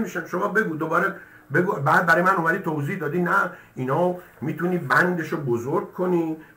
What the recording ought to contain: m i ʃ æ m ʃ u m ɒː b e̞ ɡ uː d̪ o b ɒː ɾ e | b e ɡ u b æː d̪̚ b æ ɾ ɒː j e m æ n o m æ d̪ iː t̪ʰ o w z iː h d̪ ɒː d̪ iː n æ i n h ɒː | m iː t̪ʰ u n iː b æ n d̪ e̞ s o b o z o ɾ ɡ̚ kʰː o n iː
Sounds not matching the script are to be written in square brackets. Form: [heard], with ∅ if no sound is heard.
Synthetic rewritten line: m i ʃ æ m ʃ [o] m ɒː b e̞ ɡ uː d̪ o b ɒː ɾ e | b e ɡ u b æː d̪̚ b æ ɾ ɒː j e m æ n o m æ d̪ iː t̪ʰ o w z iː h d̪ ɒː d̪ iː n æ i n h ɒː | m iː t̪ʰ u n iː b æ n d̪ e̞ [ʃ] o b o z o ɾ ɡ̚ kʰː o n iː